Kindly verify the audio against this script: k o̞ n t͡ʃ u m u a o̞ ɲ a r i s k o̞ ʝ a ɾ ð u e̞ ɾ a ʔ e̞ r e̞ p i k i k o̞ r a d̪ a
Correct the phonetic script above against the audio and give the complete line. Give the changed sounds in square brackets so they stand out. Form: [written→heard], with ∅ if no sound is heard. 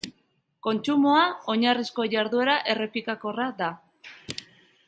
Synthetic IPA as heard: k o̞ n t͡ʃ u m [u→o] a o̞ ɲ a r i s k o̞ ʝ a ɾ ð u e̞ ɾ a ʔ e̞ r e̞ p i k [i→a] k o̞ r a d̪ a